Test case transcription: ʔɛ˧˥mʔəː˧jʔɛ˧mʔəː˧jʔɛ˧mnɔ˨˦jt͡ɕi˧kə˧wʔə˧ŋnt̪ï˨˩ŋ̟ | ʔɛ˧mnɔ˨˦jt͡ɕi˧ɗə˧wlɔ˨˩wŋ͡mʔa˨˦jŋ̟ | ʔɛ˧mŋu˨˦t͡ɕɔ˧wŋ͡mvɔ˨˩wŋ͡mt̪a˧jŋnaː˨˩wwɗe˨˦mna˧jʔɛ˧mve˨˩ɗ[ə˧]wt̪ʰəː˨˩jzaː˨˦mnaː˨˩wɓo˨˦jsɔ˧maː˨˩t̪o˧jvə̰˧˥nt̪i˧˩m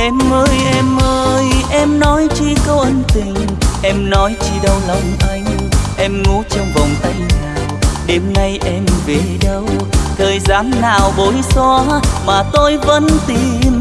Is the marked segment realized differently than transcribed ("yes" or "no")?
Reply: no